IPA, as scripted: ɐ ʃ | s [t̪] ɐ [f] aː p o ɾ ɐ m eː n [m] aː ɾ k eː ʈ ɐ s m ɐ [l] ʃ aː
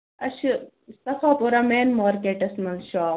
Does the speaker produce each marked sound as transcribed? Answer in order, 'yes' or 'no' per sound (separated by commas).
yes, yes, yes, yes